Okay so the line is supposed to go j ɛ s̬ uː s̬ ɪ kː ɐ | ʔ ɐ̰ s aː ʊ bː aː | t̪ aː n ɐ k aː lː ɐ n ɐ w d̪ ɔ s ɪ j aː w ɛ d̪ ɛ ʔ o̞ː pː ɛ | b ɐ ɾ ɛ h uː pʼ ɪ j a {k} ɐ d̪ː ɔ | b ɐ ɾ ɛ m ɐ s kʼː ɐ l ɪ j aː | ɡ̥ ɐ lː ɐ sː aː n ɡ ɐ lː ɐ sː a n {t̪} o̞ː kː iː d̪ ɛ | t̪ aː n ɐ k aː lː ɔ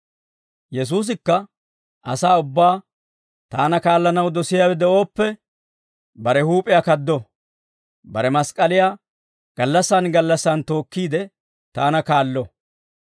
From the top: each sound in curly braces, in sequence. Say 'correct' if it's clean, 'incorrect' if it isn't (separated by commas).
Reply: correct, correct